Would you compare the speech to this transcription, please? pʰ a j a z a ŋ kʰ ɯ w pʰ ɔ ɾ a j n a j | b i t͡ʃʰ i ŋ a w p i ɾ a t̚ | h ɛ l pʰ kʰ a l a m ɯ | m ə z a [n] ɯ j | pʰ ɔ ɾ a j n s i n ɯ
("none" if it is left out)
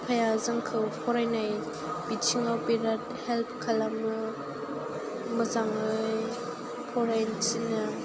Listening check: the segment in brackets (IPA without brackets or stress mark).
ŋ